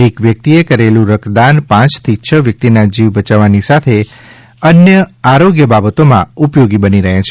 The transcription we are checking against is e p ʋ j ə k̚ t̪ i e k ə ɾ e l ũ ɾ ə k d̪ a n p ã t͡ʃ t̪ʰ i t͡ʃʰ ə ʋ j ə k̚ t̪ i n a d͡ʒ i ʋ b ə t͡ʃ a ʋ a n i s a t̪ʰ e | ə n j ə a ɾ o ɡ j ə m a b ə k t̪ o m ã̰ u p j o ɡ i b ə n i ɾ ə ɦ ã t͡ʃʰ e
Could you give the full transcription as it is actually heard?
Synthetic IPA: e k ʋ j ə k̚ t̪ i e k ə ɾ e l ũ ɾ ə k d̪ a n p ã t͡ʃ t̪ʰ i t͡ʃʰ ə ʋ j ə k̚ t̪ i n a d͡ʒ i ʋ b ə t͡ʃ a ʋ a n i s a t̪ʰ e | ə n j ə a ɾ o ɡ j ə b a b ə t̪ o m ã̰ u p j o ɡ i b ə n i ɾ ə ɦ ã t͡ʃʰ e